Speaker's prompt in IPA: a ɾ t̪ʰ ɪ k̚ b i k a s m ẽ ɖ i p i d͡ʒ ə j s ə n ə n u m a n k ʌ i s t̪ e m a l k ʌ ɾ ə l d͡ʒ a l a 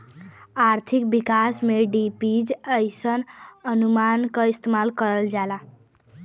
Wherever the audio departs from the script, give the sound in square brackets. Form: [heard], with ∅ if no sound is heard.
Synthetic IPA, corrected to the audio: a ɾ t̪ʰ [i] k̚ b i k a s m [e] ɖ i p i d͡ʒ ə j s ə n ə n u m a n k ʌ i s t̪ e m a l k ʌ ɾ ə l d͡ʒ a l a